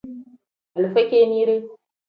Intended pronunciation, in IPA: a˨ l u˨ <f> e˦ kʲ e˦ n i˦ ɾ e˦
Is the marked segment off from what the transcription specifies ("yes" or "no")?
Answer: no